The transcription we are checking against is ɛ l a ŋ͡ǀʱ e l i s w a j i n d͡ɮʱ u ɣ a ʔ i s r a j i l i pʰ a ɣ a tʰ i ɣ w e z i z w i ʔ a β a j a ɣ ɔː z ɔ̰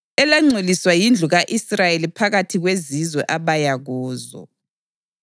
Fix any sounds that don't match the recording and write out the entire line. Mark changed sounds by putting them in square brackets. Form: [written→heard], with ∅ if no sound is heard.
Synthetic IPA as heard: ɛ l a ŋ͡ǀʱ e l i s w a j i n d͡ɮʱ u ɣ a ʔ i s r a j [i→e] l i pʰ a ɣ a tʰ i ɣ w e z i z w [i→ɛ] ʔ a β a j a ɣ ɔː z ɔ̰